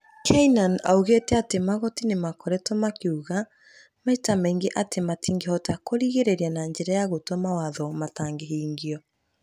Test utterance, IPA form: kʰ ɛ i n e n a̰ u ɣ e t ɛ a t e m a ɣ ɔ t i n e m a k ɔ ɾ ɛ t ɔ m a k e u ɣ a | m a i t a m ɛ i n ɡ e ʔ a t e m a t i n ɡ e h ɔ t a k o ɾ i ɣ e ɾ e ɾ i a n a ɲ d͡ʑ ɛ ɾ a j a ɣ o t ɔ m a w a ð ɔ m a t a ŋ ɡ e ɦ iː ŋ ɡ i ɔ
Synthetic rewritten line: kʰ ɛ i n a n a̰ u ɣ e t ɛ a t e m a ɣ ɔ t i n e m a k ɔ ɾ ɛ t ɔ m a k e u ɣ a | m a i t a m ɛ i ŋ ɡ e ʔ a t e m a t i ŋ ɡ e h ɔ t a k o ɾ i ɣ e ɾ e ɾ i a n a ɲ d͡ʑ ɛ ɾ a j a ɣ o t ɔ m a w a ð ɔ m a t a ŋ ɡ e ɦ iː ŋ ɡ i ɔ

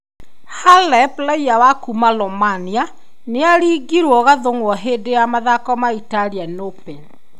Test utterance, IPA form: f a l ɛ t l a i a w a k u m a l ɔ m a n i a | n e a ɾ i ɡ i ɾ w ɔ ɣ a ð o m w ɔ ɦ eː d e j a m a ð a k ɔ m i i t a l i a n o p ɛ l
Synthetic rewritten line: h a l ɛ p l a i a w a k u m a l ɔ m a n i a | n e a ɾ i ɡ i ɾ w ɔ ɣ a ð o ŋ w ɔ ɦ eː d e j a m a ð a k ɔ m a i t a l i a n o p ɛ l

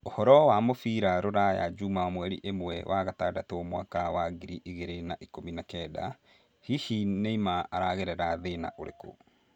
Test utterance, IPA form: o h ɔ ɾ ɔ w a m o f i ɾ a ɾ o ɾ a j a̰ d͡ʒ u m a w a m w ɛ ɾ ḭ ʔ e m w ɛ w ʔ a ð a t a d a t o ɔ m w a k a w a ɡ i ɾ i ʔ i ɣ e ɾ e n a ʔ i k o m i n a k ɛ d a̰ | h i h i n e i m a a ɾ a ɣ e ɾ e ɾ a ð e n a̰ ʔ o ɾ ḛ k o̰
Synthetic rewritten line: o h ɔ ɾ ɔ w a m o f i ɾ a ɾ o ɾ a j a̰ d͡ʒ u m a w a m w ɛ ɾ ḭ ʔ e m w ɛ w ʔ a ɣ a t a d a t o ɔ m w a k a w a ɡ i ɾ i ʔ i ɣ e ɾ e n a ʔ i k o m i n a k ɛ d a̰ | h i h i n e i m a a ɾ a ɣ e ɾ ɛ ɾ a ð e n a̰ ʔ o ɾ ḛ k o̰

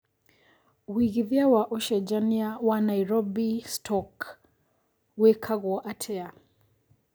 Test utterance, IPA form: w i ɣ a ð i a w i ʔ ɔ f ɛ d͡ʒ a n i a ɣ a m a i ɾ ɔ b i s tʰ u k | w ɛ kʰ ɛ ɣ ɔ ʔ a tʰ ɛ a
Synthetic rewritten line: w i ɣ i ð i a w a ʔ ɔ ʃ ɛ d͡ʒ a n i a w a n a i ɾ ɔ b i s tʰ ɔ k | w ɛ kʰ a ɣ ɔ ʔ a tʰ ɛ a

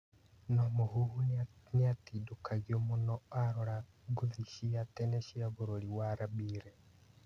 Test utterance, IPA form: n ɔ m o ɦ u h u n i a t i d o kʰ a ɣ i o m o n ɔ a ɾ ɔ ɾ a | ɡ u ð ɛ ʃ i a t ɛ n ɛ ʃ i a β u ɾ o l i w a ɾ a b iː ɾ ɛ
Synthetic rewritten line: n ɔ m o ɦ u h u n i a t i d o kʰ a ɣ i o m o n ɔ a ɾ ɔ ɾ a | ɡ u ð i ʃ i a t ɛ n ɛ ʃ i a β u ɾ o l i w a ɾ a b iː ɾ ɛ

